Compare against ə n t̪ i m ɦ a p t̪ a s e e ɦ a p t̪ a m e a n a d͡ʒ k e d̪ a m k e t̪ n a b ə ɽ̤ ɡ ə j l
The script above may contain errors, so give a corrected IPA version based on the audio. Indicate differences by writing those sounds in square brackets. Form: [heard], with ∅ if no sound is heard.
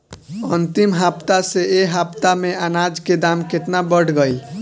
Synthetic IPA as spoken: ə n t̪ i m ɦ a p t̪ a s e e ɦ a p t̪ a m e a n a d͡ʒ k e d̪ a m k e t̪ n a b ə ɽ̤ ɡ ə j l